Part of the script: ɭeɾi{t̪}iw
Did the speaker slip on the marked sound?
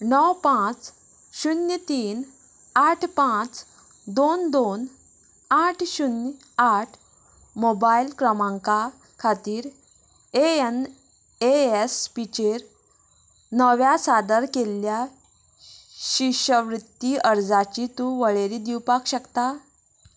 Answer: yes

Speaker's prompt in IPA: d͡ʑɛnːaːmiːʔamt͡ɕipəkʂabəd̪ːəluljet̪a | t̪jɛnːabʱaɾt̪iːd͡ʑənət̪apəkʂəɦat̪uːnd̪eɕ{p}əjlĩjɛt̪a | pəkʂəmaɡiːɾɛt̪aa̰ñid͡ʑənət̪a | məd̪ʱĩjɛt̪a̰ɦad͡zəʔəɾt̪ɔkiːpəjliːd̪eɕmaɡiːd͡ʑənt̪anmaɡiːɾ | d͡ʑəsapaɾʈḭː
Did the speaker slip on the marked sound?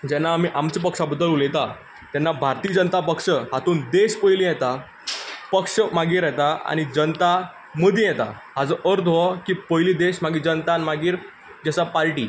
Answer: no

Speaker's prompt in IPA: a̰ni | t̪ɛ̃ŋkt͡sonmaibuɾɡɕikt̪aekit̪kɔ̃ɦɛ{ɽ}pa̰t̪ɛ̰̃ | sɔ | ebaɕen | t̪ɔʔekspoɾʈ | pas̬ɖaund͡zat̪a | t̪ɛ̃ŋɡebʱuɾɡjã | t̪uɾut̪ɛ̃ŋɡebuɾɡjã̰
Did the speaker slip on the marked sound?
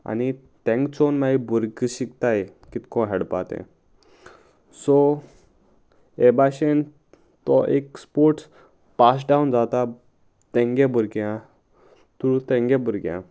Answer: no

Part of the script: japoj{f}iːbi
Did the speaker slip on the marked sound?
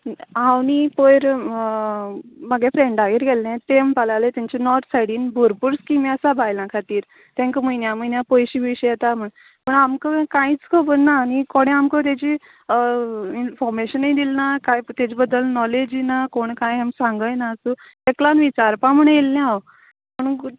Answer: yes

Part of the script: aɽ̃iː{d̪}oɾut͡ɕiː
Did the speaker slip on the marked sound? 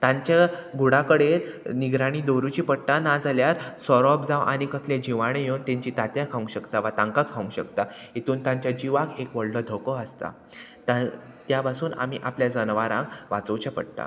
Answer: no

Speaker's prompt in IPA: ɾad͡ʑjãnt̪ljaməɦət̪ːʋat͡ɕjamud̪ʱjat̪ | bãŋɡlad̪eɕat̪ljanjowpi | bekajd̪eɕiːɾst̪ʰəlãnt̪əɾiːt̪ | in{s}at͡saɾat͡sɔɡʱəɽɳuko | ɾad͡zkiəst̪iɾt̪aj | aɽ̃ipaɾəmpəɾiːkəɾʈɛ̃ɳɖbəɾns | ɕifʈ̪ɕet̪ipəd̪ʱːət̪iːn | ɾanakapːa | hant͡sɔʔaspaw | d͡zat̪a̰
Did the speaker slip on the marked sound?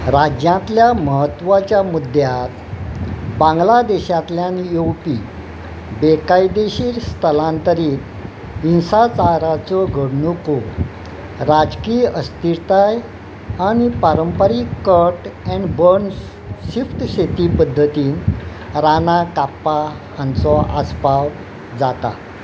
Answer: no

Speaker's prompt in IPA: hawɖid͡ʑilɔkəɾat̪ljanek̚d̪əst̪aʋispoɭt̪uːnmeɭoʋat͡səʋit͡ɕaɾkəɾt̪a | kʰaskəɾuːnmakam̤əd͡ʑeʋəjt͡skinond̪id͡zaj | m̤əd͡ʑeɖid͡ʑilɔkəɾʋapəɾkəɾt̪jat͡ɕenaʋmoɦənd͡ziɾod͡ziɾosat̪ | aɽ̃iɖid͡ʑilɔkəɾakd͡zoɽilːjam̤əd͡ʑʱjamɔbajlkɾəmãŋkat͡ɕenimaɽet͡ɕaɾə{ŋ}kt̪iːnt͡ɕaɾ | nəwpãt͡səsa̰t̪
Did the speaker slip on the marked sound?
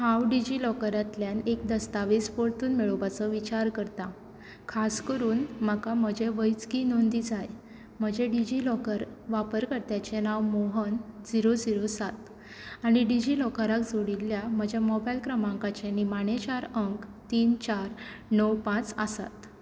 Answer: no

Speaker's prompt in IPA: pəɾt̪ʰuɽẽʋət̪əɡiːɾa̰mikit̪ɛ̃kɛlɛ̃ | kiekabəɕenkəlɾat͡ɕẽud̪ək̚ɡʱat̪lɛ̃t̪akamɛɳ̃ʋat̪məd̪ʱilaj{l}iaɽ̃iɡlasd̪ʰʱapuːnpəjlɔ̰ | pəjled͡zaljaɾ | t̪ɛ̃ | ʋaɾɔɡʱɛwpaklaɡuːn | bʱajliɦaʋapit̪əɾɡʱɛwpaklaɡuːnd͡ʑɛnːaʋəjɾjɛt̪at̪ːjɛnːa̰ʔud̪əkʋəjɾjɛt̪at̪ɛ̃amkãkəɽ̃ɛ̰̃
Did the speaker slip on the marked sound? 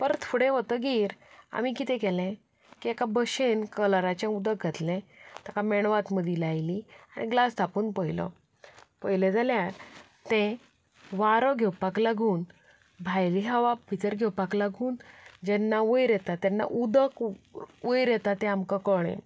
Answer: no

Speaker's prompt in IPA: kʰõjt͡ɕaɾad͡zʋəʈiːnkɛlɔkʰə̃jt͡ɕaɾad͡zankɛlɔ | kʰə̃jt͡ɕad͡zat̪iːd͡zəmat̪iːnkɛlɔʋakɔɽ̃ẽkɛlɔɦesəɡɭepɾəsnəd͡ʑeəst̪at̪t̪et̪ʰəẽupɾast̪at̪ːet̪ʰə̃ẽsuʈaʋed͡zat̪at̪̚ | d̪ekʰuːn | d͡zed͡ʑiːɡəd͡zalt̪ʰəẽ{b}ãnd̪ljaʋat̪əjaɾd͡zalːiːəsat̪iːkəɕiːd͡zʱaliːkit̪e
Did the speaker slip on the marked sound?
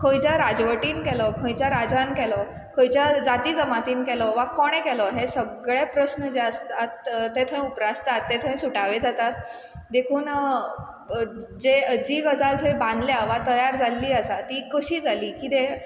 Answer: no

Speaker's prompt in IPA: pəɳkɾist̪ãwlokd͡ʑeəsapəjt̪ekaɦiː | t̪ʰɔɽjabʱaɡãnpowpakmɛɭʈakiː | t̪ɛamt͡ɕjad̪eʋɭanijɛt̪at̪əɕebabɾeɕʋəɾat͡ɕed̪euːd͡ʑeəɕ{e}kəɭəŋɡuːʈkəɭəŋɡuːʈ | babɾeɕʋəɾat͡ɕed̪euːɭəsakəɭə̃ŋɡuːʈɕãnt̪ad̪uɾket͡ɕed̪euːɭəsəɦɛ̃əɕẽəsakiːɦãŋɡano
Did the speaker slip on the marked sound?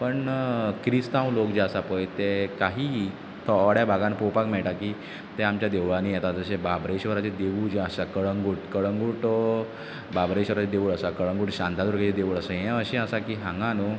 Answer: yes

